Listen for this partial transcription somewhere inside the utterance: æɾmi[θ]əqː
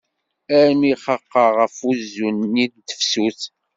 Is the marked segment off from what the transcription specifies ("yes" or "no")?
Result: yes